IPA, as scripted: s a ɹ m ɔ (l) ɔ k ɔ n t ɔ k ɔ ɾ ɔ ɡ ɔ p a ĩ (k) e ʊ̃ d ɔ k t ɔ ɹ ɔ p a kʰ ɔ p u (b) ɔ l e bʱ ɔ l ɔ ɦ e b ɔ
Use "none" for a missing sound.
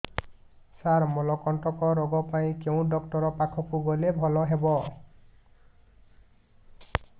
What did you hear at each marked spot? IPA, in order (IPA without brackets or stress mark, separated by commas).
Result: l, k, ɡ